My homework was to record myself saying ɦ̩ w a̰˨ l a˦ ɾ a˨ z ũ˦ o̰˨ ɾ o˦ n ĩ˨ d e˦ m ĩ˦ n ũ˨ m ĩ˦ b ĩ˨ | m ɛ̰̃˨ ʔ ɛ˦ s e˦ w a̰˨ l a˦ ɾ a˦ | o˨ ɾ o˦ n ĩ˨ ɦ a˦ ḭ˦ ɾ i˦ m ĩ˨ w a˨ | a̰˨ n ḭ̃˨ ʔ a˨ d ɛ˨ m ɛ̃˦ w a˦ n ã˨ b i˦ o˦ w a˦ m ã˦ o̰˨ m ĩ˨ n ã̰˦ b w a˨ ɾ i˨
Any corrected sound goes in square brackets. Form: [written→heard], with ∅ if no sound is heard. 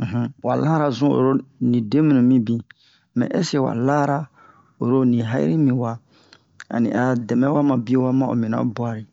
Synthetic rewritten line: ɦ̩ w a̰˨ l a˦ ɾ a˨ z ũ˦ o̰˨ ɾ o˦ n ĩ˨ d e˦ m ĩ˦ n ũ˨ m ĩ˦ b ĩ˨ | m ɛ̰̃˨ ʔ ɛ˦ s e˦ w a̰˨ l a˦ ɾ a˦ | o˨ ɾ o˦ n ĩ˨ ɦ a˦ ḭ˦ ɾ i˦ m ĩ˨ w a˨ | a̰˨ n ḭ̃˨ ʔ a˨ d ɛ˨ m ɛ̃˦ w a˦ [n→m] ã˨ b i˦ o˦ w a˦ m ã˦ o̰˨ m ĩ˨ n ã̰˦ b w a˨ ɾ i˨